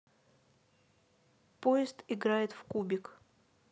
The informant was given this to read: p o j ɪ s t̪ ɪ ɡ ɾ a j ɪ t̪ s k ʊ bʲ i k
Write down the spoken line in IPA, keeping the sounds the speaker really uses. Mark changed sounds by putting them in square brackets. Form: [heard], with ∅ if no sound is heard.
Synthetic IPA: p o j ɪ s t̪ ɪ ɡ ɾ a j ɪ t̪ [f] k [u] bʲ [ɪ] k